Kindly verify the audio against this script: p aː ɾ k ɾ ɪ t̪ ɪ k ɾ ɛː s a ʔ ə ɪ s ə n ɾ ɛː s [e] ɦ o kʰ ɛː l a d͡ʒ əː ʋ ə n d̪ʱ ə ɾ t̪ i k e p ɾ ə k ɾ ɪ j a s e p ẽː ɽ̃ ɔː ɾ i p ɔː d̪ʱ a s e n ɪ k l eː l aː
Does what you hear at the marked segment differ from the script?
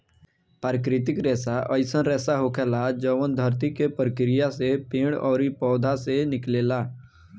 yes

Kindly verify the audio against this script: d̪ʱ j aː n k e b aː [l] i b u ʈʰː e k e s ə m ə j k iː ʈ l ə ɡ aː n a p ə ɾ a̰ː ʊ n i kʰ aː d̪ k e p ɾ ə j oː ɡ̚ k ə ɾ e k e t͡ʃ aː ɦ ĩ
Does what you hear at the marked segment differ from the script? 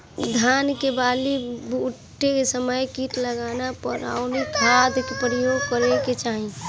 no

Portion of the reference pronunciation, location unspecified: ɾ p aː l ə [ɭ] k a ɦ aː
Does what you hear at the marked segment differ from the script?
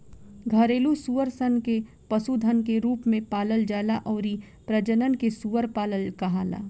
yes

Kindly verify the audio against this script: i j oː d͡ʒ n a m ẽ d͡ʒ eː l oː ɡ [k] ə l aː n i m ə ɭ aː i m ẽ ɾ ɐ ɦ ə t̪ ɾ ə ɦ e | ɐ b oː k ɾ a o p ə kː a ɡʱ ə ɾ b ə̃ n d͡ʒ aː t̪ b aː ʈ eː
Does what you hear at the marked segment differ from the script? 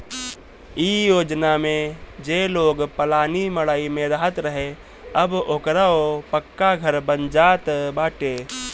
yes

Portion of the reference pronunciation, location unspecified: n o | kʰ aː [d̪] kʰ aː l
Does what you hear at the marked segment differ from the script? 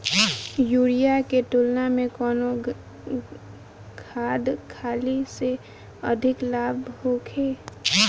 no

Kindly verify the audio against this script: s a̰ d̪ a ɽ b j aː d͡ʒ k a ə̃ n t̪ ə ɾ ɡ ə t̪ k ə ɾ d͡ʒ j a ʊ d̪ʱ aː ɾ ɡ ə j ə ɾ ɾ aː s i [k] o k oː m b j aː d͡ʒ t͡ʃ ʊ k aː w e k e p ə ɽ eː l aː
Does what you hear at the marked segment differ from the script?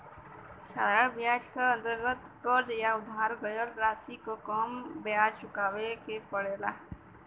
no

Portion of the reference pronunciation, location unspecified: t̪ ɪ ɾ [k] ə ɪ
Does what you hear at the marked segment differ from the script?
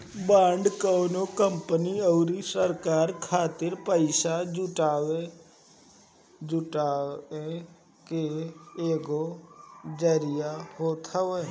yes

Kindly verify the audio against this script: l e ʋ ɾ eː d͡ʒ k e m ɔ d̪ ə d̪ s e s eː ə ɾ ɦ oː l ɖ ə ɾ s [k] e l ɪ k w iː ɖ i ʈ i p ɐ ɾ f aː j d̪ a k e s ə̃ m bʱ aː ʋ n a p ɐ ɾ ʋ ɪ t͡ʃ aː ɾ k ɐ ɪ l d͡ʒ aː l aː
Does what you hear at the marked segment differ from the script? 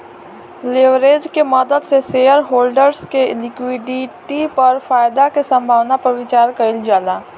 no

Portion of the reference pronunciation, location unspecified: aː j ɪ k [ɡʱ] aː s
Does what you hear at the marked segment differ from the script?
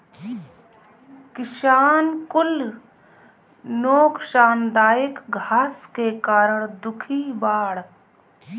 no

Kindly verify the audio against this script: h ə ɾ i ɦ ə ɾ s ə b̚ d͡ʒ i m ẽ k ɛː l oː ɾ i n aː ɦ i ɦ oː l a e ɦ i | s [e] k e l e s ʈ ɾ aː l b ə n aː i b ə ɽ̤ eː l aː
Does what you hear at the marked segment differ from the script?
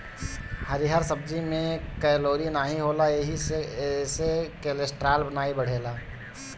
no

